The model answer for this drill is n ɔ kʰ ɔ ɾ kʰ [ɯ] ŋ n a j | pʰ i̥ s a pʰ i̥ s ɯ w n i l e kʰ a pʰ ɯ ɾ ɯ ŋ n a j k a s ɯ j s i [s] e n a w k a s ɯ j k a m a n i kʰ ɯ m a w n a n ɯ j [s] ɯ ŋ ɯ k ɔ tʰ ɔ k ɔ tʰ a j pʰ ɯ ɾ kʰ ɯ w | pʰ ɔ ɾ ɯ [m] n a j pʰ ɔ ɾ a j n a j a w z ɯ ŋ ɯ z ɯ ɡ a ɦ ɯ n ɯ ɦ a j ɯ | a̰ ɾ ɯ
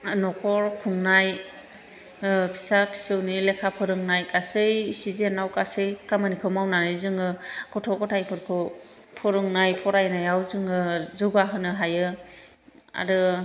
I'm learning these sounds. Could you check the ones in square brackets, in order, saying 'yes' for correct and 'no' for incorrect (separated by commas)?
no, no, no, no